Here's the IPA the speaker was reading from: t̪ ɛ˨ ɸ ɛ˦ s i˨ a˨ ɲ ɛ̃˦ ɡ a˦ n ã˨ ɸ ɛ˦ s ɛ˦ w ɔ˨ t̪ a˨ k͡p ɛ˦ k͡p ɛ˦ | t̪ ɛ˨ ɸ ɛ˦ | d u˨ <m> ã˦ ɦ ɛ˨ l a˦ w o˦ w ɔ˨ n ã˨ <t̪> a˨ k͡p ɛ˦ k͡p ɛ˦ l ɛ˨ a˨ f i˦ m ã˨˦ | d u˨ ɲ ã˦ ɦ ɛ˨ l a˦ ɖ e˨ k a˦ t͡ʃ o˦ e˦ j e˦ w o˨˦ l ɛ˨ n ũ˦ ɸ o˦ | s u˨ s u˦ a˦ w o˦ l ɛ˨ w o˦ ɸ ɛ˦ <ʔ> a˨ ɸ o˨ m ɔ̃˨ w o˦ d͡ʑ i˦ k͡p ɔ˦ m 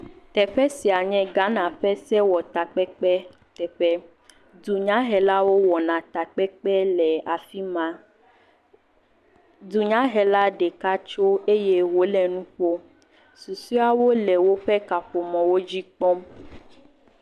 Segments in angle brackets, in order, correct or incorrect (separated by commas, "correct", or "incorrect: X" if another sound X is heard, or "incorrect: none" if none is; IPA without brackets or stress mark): incorrect: ɲ, correct, incorrect: k